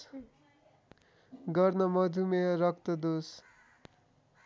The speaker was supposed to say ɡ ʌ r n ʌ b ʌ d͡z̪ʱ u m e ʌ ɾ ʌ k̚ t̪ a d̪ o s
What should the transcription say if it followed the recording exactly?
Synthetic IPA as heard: ɡ ʌ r n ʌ m ʌ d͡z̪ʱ u m e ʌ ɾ ʌ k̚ t̪ ʌ d̪ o s